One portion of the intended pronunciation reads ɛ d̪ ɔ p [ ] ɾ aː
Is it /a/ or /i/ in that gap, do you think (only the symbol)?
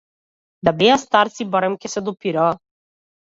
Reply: i